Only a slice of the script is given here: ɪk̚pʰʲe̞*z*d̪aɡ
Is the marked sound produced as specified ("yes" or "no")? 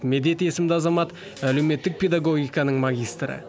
no